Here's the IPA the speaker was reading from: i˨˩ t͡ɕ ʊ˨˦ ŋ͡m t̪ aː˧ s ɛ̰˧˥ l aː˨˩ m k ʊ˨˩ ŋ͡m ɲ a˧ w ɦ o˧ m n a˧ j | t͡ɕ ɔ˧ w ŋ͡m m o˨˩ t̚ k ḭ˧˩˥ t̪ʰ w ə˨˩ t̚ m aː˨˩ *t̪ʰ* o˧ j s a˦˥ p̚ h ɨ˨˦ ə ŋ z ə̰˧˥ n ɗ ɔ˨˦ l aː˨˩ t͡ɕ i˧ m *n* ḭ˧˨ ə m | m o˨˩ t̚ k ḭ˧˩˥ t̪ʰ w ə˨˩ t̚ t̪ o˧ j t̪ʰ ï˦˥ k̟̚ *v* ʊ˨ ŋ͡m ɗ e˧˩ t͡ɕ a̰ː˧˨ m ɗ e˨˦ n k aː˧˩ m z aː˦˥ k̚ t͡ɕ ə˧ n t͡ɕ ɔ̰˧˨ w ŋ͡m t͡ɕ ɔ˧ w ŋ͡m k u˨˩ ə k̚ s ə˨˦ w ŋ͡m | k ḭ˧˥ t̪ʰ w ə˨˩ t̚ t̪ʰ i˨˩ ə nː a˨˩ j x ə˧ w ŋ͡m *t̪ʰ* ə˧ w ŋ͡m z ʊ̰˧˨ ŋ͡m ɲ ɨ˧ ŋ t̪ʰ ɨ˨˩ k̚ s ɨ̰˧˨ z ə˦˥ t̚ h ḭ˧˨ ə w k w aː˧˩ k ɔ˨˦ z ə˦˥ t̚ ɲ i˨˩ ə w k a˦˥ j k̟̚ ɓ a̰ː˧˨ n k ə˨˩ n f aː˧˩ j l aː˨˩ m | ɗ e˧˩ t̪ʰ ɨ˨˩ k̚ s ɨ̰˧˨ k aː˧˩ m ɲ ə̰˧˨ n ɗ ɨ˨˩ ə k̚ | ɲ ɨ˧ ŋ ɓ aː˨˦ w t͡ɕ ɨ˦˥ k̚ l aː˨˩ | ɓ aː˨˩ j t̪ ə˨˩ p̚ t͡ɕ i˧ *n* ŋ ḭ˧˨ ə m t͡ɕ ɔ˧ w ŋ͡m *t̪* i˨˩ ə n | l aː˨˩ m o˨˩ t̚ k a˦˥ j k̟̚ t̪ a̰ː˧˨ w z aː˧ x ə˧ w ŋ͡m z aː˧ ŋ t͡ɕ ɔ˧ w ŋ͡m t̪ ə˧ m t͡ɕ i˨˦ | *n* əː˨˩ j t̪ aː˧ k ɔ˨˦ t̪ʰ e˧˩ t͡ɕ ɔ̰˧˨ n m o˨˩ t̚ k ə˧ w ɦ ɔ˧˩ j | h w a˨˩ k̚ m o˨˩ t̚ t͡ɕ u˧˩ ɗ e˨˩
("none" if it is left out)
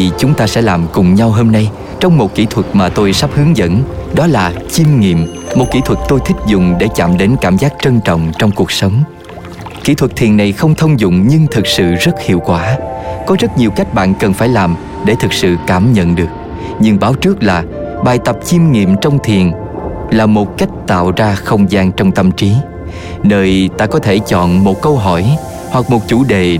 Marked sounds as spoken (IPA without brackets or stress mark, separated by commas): t̪, ŋ, z, t̪ʰ, m, t̪ʰ, n